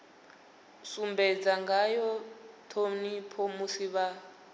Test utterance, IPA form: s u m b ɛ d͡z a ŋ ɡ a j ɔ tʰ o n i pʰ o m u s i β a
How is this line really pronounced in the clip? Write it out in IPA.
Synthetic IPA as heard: s u m b ɛ d͡z a ŋ ɡ a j ɔ tʰ o n i pʰ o m u s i β a